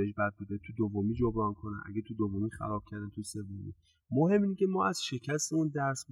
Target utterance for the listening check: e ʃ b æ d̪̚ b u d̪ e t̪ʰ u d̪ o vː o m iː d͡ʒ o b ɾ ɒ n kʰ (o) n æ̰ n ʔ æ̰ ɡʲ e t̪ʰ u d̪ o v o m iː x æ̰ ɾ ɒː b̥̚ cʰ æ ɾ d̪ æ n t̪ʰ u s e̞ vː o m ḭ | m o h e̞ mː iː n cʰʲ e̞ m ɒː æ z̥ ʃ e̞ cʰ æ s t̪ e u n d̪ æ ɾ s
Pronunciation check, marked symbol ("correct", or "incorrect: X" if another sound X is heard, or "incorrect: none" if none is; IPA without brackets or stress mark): correct